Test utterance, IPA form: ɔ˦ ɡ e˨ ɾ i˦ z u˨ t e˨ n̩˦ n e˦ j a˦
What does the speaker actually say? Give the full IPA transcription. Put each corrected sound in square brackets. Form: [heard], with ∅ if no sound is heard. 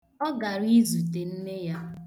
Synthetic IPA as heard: ɔ˦ ɡ [a˨] ɾ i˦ z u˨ t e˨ n̩˦ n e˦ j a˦